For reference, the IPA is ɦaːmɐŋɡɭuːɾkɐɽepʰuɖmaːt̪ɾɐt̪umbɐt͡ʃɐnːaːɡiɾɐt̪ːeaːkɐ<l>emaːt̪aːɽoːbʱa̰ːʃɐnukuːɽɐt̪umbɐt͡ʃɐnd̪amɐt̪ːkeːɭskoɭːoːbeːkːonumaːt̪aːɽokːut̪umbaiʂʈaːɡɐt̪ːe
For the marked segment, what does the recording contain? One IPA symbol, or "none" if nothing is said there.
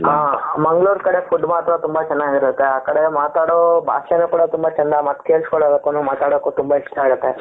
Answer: ɽ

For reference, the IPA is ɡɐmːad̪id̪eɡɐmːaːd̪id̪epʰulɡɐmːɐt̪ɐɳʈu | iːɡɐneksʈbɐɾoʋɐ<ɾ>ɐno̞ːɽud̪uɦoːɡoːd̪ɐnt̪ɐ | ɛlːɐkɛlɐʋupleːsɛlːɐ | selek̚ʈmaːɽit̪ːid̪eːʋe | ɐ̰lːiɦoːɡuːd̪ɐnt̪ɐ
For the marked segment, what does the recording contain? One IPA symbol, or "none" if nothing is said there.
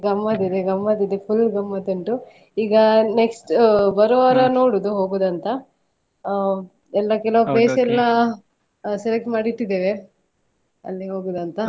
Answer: ɾ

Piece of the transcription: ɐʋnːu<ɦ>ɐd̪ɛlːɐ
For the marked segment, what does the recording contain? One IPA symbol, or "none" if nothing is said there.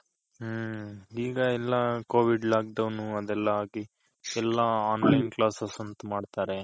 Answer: none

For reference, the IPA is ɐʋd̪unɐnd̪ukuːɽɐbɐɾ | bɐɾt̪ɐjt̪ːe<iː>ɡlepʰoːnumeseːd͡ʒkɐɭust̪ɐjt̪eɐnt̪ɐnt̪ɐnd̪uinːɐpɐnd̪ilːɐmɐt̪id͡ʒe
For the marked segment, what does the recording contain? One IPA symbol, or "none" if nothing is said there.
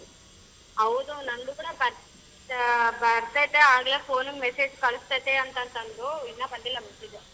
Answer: aː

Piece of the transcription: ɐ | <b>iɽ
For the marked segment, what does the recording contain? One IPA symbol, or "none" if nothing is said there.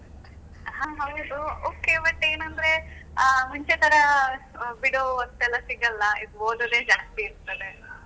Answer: b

